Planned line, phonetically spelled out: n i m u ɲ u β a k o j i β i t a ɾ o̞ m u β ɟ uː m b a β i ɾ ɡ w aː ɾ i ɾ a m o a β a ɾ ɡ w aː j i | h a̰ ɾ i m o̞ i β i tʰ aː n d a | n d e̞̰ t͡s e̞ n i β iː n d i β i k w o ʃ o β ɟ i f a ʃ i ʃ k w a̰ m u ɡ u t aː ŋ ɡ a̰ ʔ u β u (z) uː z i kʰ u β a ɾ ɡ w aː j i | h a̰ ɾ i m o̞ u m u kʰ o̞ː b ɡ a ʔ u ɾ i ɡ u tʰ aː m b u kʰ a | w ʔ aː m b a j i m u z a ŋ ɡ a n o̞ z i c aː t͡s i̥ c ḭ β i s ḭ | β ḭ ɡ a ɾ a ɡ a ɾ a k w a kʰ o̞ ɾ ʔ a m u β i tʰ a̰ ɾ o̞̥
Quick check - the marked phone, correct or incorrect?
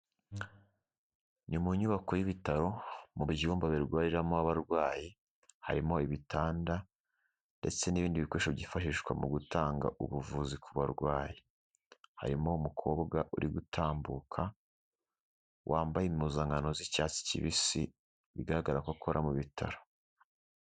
incorrect